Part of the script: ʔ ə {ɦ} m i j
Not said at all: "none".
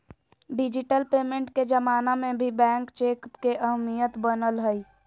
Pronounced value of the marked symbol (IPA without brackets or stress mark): ɦ